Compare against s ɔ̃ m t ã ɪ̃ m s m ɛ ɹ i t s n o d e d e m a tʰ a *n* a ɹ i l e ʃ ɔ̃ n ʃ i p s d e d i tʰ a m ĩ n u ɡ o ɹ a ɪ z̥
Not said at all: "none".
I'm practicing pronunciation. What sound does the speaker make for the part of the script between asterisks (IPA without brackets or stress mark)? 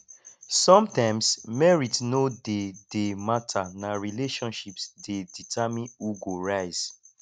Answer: n